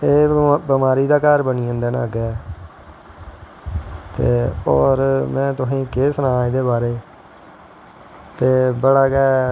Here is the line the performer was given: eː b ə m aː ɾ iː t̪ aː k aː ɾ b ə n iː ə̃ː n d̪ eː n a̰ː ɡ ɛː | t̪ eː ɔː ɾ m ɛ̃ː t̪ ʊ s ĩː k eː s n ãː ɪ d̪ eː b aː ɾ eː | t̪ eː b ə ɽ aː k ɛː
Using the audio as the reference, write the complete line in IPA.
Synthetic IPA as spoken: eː b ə m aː ɾ iː d̪ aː k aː ɾ b ə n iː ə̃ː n d̪ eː n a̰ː ɡ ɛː | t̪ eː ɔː ɾ m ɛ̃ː t̪ ʊ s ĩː k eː s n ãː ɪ d̪ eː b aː ɾ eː | t̪ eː b ə ɽ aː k ɛː